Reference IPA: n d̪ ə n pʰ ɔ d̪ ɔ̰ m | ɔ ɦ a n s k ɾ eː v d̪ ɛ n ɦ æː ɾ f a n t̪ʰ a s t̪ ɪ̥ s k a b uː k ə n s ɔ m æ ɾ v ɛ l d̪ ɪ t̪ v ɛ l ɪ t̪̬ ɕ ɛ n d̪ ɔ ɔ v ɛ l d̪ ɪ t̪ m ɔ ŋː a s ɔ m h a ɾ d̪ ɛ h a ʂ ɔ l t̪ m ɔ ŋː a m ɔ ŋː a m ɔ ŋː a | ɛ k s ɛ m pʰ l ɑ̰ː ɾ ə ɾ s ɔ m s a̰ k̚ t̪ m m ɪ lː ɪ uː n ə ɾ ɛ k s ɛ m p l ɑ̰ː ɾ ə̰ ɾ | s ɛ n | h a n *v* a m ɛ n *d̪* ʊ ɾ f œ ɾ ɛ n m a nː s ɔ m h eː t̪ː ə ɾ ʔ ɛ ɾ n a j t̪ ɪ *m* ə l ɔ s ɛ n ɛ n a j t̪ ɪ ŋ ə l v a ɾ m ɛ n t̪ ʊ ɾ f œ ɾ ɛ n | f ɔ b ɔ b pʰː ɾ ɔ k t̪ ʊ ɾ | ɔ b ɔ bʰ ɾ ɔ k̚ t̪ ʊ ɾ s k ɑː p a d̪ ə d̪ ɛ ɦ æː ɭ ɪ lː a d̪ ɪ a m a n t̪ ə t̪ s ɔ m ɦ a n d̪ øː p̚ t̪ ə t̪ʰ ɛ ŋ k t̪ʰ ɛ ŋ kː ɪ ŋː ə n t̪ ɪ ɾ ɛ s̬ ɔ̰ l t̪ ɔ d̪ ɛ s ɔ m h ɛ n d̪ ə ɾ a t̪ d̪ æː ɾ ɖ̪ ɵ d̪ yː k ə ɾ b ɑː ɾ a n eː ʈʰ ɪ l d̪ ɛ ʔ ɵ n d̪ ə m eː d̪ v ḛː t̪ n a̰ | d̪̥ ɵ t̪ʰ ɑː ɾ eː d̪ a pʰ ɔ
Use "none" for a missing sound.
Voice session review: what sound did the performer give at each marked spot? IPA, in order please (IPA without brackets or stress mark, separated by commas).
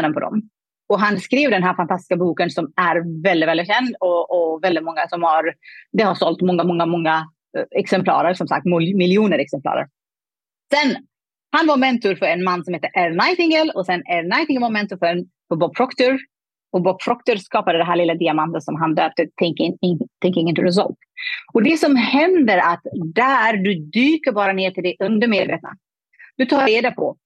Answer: v, t̪, ŋ